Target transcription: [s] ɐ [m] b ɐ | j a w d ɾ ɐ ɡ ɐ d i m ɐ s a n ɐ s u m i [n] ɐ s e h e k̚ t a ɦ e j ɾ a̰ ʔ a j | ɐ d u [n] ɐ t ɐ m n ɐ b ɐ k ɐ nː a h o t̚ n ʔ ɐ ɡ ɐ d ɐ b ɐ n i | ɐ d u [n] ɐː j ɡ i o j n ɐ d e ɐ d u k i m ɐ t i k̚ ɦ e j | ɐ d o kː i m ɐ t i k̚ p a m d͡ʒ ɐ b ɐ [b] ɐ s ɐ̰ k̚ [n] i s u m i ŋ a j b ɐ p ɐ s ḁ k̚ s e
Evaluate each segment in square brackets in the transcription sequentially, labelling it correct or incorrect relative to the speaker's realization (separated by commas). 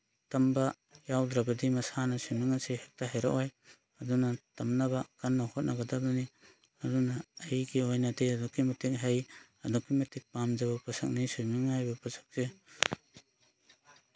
incorrect, correct, incorrect, correct, correct, incorrect, correct